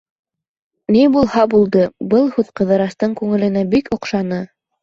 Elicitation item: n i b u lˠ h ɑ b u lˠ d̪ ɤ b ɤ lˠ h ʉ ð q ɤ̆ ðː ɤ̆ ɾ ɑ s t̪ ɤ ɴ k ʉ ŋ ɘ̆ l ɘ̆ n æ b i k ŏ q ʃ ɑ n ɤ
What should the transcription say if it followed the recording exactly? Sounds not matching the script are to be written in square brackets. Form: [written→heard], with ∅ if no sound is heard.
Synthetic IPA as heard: n i b u lˠ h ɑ b u lˠ d̪ ɤ b ɤ lˠ h ʉ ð q ɤ̆ [ðː→ð] ɤ̆ ɾ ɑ s t̪ ɤ ɴ k ʉ ŋ ɘ̆ l ɘ̆ n æ b i k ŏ q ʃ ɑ n ɤ